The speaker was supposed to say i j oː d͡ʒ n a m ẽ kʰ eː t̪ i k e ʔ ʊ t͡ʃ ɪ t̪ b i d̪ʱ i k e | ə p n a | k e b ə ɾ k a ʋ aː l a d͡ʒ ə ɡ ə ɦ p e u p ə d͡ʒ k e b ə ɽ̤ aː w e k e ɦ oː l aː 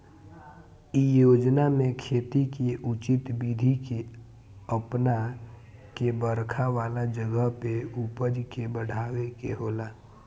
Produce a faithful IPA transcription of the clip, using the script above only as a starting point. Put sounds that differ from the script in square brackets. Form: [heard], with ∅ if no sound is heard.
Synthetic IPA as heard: i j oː d͡ʒ n a m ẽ kʰ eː t̪ i k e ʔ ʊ t͡ʃ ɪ t̪ b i d̪ʱ i k e | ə p n a | k e b ə ɾ [kʰ] a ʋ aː l a d͡ʒ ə ɡ ə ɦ p e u p ə d͡ʒ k e b ə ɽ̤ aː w e k e ɦ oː l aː